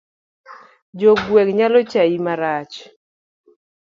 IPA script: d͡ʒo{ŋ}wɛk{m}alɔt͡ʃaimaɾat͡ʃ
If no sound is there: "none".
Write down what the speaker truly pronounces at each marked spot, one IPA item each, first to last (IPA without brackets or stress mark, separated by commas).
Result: ɡ, ɲ